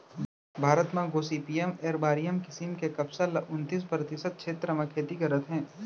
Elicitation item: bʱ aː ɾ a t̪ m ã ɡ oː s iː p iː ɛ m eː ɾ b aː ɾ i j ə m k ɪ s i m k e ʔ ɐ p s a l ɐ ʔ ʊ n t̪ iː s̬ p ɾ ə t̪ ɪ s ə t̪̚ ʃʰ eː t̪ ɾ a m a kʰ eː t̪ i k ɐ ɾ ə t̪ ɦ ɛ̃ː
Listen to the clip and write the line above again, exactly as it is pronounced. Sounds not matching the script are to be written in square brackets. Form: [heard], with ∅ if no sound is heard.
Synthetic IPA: bʱ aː ɾ [ə] t̪ m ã ɡ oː s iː p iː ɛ m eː ɾ b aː ɾ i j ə m k ɪ s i m k e [k] ɐ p s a l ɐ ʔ ʊ n t̪ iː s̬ p ɾ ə t̪ ɪ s ə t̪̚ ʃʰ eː t̪ ɾ [ə] m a kʰ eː t̪ i k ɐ ɾ ə t̪ ɦ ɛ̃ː